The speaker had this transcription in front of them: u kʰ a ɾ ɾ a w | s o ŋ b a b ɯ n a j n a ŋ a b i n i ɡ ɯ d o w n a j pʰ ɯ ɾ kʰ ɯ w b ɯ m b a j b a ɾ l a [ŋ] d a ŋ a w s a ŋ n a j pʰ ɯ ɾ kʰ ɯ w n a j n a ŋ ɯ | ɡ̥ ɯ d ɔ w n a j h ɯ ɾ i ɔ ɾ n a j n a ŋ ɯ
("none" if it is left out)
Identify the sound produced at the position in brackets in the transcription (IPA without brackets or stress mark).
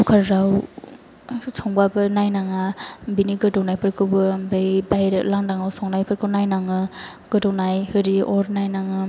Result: ŋ